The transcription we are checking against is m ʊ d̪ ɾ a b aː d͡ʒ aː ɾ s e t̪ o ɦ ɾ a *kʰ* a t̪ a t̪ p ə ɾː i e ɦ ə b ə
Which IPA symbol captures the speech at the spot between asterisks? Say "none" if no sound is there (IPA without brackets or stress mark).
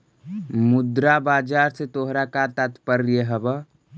k